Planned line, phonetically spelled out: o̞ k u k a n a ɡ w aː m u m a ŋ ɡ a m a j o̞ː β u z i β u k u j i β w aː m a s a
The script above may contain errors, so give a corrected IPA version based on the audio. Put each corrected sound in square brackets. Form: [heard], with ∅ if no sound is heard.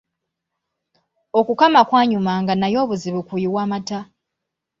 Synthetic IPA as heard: o̞ k u k a [m] a [k] w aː [ɲ] u m a ŋ ɡ a [n] a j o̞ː β u z i β u k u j i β w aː m a [t] a